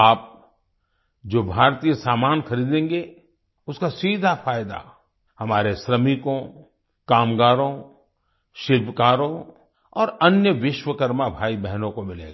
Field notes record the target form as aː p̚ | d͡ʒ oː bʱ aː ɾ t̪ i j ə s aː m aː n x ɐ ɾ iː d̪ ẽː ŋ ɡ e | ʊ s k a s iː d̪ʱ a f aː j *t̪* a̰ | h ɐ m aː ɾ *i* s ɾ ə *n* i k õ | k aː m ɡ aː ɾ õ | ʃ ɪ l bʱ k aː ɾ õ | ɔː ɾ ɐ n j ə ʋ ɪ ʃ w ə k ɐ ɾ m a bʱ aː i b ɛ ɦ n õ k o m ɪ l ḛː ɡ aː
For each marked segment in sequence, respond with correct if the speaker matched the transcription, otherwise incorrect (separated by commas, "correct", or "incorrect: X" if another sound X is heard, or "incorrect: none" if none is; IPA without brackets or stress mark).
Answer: incorrect: d̪, incorrect: e, incorrect: m